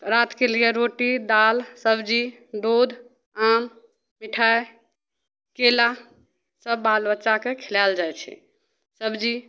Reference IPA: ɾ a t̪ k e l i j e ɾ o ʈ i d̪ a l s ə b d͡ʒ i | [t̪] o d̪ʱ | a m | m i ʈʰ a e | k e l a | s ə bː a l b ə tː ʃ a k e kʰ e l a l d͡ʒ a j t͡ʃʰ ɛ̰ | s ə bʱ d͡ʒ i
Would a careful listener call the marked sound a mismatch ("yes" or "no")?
yes